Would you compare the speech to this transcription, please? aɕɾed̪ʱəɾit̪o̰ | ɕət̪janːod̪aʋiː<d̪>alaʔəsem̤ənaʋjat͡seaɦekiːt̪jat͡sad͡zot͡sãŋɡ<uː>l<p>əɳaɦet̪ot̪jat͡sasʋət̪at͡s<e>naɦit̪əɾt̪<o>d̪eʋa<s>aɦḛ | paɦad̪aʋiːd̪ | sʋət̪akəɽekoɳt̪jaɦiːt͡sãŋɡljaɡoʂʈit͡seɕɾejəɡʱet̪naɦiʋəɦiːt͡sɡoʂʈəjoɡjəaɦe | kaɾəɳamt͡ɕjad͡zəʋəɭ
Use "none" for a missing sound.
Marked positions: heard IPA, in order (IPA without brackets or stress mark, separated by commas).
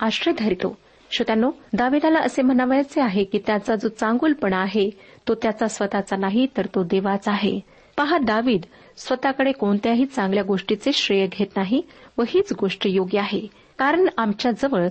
d̪, uː, p, a, o, t͡s